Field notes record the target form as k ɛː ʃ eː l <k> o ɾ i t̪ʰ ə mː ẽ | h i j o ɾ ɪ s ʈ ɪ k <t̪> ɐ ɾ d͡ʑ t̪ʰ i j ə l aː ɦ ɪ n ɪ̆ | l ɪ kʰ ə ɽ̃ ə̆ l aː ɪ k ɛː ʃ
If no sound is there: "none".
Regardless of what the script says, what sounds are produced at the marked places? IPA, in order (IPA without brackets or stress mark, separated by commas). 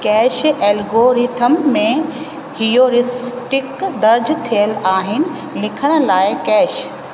ɡ, d̪